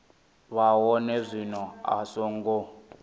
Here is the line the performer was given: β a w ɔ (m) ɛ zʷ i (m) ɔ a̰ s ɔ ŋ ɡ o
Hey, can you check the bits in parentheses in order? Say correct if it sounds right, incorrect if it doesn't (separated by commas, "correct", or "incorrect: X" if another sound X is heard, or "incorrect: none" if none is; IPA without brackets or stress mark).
incorrect: n, incorrect: n